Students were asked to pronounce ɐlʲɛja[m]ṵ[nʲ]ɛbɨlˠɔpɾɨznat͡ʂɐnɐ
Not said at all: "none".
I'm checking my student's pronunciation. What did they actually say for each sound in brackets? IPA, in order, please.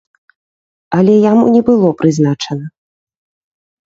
m, nʲ

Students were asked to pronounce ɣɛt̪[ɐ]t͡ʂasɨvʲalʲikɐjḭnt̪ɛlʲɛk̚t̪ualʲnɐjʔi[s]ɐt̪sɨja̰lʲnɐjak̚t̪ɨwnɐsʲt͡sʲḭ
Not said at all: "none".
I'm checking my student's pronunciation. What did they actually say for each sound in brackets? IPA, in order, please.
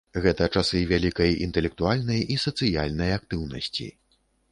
ɐ, s

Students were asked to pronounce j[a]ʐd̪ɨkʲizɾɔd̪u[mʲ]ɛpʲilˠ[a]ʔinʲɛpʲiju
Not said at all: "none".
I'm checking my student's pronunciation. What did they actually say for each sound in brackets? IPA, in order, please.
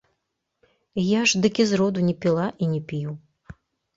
a, nʲ, a

